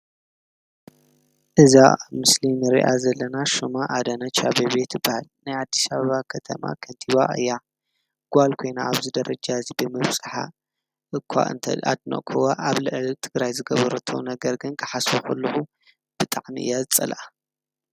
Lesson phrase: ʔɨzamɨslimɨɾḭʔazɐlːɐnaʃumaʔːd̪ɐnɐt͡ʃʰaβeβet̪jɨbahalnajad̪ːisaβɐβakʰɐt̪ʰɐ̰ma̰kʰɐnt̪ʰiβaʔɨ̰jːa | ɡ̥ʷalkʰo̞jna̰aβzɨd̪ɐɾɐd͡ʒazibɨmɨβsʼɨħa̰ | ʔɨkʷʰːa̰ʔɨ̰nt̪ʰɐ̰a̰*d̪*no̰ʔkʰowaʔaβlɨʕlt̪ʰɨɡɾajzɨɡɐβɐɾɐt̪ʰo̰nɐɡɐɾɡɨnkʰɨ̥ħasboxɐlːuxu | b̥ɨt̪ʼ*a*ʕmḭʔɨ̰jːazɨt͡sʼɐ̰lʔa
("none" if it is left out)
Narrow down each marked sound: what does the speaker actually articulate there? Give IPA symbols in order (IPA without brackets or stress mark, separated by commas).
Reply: d̪, a